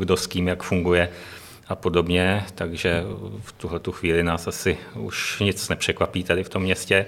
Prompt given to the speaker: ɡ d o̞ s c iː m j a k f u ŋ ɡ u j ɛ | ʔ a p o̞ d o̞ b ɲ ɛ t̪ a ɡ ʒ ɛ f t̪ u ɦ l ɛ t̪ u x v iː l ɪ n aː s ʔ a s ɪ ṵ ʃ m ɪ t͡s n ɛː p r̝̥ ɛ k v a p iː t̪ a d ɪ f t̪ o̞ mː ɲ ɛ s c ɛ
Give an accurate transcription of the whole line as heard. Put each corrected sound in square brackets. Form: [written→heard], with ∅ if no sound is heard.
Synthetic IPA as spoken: ɡ d o̞ s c iː m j a k f u ŋ ɡ u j ɛ | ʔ a p o̞ d o̞ b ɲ ɛ t̪ a ɡ ʒ ɛ f t̪ u ɦ l ɛ t̪ u x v iː l ɪ n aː s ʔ a s ɪ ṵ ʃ [m→ɲ] ɪ t͡s n [ɛː→ɛ] p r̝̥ ɛ k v a p iː t̪ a d ɪ f t̪ o̞ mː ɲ ɛ s c ɛ